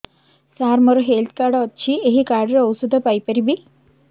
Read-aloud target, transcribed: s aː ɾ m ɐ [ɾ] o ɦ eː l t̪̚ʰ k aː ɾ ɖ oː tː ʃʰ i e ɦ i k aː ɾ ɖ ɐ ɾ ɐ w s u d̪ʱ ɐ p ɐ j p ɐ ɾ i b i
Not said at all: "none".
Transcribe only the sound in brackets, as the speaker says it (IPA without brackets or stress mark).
ɾ